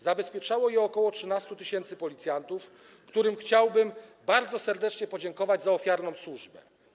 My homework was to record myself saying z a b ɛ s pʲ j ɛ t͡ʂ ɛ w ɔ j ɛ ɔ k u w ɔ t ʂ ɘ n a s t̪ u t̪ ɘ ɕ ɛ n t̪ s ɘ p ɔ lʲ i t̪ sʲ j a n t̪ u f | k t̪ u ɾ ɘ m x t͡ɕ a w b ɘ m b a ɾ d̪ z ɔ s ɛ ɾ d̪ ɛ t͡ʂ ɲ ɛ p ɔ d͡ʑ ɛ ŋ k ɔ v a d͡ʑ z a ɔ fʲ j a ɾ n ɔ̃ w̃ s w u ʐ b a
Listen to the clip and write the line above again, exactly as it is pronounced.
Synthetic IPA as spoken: z a b ɛ s pʲ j ɛ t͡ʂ a w ɔ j ɛ ɔ k ɔ w ɔ t ʂ ɘ n a s t̪ u t̪ ɘ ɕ ɛ n t̪ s ɘ p ɔ lʲ i t̪ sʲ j a n t̪ u f | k t̪ u ɾ ɘ m x t͡ɕ a w b ɘ m b a ɾ d̪ z ɔ s ɛ ɾ d̪ ɛ t͡ʂ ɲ ɛ p ɔ d͡ʑ ɛ ŋ k ɔ v a d͡ʑ z a ɔ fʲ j a ɾ n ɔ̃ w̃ s w u ʐ b ɛ

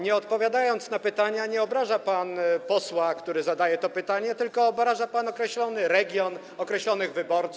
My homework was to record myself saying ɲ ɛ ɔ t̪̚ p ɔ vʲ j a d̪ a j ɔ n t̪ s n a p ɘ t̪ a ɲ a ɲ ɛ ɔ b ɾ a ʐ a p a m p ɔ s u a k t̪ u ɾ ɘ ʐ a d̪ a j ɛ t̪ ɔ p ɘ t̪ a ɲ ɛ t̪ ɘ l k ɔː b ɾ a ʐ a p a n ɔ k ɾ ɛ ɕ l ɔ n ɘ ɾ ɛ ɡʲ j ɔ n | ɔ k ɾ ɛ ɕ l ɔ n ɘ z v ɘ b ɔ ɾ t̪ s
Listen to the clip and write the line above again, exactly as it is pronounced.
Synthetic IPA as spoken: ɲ ɛ ɔ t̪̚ p ɔ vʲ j a d̪ a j ɔ n t̪ s n a p ɘ t̪ a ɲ a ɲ ɛ ɔ b ɾ a ʐ a p a n p ɔ s w a k t̪ u ɾ ɘ z a d̪ a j ɛ t̪ ɔ p ɘ t̪ a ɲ ɛ t̪ ɘ l k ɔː b ɾ a ʐ a p a n ɔ k ɾ ɛ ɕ l ɔ n ɘ ɾ ɛ ɡʲ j ɔ n | ɔ k ɾ ɛ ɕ l ɔ n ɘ ɣ v ɘ b ɔ ɾ t̪ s

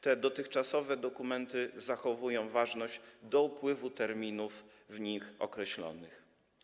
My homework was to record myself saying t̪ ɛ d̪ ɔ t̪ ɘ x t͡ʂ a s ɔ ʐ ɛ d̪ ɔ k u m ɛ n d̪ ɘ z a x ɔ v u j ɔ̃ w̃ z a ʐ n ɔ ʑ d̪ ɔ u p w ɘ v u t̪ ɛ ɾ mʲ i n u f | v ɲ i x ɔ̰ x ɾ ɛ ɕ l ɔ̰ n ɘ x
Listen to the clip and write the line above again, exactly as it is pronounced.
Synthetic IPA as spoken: t̪ ɛ d̪ ɔ t̪ ɘ x t͡ʂ a s ɔ v ɛ d̪ ɔ k u m ɛ n t̪ ɘ z a x ɔ v u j ɔ̃ w̃ v a ʐ n ɔ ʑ d̪ ɔ u p w ɘ v u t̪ ɛ ɾ mʲ i n u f | v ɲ i x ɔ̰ k ɾ ɛ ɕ l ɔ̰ n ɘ x

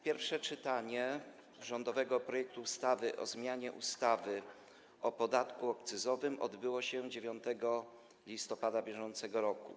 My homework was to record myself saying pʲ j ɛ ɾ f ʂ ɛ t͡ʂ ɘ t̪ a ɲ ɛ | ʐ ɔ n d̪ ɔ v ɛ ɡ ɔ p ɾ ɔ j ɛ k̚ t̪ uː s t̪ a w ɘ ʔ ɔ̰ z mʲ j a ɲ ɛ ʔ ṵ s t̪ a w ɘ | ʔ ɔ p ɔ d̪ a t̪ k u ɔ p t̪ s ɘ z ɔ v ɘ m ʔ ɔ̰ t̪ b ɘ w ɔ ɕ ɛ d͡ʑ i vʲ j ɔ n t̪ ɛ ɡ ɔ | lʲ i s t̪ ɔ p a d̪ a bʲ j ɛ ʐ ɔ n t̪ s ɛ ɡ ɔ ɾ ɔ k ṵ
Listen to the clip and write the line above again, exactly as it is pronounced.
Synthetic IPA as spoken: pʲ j ɛ ɾ f ʂ ɛ t͡ʂ ɘ t̪ a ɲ ɛ | ʐ ɔ n d̪ ɔ v ɛ ɡ ɔ p ɾ ɔ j ɛ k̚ t̪ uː s t̪ a v ɘ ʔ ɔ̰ z mʲ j a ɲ ɛ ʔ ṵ s t̪ a v ɘ | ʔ ɔ p ɔ d̪ a t̪ k u ɔ k t̪ s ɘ z ɔ v ɘ m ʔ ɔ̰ d̪ b ɘ w ɔ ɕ ɛ d͡ʑ e vʲ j ɔ n t̪ ɛ ɡ ɔ | lʲ i s t̪ ɔ p a d̪ a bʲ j ɛ ʐ ɔ n t̪ s ɛ ɡ ɔ ɾ ɔ k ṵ

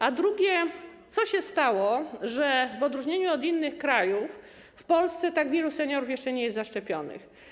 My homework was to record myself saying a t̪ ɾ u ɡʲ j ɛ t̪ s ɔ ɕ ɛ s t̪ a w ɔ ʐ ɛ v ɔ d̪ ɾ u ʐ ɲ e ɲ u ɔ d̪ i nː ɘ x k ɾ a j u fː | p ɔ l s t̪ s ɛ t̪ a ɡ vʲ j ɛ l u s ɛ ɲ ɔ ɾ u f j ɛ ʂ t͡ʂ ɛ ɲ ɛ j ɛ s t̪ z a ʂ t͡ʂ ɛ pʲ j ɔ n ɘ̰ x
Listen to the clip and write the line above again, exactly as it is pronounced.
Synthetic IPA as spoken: a d̪ ɾ u ɡʲ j ɛ t̪ s ɔ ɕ ɛ s t̪ a w ɔ ʐ ɛ v ɔ d̪ ɾ u ʐ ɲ e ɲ u ɔ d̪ i nː ɘ x k ɾ a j u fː | p ɔ l s t̪ s ɛ t̪ a ɡ vʲ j ɛ l u s ɛ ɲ ɔ ɾ u f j ɛ ʂ t͡ʂ ɛ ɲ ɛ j ɛ s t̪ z a ʂ t͡ʂ ɛ pʲ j ɔ n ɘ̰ x

